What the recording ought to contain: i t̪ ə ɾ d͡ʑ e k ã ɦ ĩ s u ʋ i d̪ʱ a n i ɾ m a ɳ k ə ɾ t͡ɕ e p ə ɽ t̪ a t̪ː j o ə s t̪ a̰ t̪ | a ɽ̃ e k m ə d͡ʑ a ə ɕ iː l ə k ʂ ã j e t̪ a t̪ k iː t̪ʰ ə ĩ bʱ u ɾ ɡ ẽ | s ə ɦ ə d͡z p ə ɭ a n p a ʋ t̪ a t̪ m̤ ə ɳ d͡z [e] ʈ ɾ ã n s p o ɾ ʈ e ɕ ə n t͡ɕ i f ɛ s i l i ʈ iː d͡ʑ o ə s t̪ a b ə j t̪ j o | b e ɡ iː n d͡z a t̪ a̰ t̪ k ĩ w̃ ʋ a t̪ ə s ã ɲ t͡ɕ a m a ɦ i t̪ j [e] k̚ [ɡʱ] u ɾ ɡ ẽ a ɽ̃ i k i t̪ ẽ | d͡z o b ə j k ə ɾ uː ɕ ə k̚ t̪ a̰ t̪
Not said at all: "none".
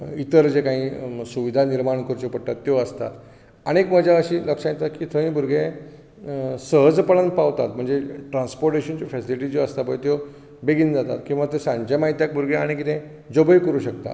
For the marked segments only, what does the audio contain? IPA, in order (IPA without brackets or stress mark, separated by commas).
e, a, bʱ